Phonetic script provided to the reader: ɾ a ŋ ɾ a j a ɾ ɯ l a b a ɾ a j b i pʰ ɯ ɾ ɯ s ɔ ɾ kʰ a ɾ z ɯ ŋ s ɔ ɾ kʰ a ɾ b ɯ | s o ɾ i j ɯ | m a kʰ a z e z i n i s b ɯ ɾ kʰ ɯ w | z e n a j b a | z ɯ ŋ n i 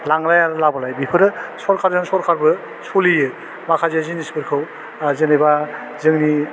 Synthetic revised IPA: l a ŋ ɾ a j a ɾ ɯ l a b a l a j b i pʰ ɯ ɾ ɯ s ɔ ɾ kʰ a ɾ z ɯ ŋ s ɔ ɾ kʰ a ɾ b ɯ | s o l i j ɯ | m a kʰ a z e z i n i s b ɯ ɾ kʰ ɯ w | z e n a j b a | z ɯ ŋ n i